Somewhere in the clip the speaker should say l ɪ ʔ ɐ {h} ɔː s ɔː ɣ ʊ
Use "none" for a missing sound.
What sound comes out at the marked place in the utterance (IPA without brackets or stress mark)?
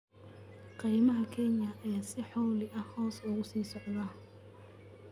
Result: h